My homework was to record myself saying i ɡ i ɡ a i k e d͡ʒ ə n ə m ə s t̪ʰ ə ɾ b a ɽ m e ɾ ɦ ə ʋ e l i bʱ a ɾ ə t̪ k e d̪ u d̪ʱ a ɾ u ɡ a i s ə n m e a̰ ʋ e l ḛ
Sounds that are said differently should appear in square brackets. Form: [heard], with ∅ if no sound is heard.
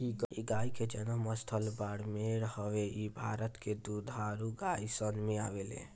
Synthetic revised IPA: i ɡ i ɡ a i k e d͡ʒ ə n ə m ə s t̪ʰ ə [l] b a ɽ m e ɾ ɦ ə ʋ e [∅] i bʱ a ɾ ə t̪ k e d̪ u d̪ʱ a ɾ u ɡ a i s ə n m e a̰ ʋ e l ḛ